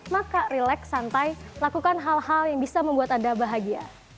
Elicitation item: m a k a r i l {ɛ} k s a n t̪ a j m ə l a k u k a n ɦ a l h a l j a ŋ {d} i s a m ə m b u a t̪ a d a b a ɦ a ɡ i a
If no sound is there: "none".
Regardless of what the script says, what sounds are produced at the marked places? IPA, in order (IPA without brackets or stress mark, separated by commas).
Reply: ɛ, b